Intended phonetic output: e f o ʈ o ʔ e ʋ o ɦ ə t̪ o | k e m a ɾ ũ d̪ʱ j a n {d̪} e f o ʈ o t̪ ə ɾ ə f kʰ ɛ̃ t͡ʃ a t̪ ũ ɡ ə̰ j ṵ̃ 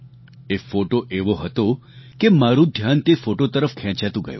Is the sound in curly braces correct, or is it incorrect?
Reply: incorrect